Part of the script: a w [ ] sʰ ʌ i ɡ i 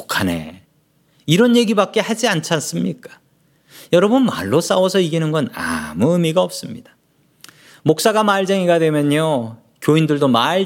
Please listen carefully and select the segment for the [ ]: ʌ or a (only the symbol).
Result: ʌ